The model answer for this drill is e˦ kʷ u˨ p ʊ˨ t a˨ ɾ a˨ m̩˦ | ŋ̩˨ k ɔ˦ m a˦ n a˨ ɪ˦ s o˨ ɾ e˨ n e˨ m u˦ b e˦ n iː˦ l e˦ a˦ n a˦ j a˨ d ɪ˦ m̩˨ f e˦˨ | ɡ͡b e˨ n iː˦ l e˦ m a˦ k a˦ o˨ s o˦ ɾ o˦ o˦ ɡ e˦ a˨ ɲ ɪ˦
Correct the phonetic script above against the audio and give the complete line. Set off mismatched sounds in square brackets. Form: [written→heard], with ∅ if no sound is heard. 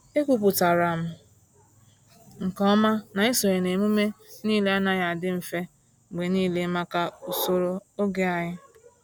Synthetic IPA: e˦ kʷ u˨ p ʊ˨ t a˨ ɾ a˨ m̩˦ | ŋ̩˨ k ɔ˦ m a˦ n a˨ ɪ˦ s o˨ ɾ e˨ n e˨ m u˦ [b→m] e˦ n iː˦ l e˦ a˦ n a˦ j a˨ d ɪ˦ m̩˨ f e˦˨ | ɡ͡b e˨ n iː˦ l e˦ m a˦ k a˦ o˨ s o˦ ɾ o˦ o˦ ɡ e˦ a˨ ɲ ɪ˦